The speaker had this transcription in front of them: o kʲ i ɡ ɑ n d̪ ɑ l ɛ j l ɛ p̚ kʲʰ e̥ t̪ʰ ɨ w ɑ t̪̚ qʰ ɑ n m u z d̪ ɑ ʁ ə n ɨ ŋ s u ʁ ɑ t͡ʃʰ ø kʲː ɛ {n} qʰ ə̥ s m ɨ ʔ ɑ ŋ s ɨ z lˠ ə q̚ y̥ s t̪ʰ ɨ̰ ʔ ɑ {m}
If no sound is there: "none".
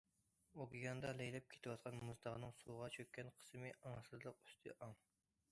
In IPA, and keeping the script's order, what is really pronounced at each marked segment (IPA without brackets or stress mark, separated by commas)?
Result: n, ŋ